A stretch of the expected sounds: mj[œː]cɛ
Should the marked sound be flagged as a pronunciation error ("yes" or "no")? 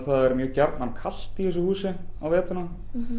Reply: no